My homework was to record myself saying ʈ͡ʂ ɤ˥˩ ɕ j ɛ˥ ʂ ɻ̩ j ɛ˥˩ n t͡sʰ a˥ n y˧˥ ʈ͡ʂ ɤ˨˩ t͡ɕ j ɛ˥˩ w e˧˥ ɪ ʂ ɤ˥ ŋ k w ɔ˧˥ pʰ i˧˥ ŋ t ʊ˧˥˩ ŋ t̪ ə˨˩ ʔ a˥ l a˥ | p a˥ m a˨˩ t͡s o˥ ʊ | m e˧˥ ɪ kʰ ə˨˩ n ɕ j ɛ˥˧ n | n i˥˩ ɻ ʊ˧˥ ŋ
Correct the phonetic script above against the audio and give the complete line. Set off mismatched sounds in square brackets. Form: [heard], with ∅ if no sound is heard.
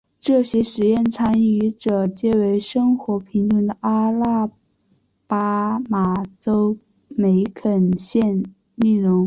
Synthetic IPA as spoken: ʈ͡ʂ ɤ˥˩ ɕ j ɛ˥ ʂ ɻ̩ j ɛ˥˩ n t͡sʰ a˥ n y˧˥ ʈ͡ʂ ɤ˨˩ t͡ɕ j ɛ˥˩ w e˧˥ ɪ ʂ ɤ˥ ŋ [x] w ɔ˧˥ pʰ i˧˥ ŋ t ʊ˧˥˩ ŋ [d̪] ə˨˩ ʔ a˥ l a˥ | p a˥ m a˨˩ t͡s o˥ ʊ | m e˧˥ ɪ kʰ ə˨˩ n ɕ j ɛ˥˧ n | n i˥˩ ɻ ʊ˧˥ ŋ